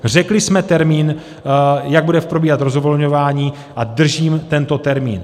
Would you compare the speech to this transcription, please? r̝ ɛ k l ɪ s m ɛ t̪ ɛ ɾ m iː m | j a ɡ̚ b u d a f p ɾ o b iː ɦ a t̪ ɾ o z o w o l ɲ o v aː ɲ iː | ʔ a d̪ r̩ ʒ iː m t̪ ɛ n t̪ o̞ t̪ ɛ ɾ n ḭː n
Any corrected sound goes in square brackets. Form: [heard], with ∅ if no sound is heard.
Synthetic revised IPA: r̝ ɛ k l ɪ s m ɛ t̪ ɛ ɾ m iː [n] | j a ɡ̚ b u d [ɛ] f p ɾ o b iː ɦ a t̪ ɾ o z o [v] o l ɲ o v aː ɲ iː | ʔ a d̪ r̩ ʒ iː m t̪ ɛ n t̪ o̞ t̪ ɛ ɾ [m] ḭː n